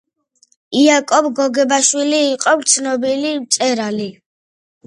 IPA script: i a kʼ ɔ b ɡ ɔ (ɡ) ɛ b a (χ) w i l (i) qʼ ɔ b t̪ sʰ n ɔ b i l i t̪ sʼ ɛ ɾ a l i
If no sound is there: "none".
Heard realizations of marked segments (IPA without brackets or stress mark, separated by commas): ɡ, ʃ, iː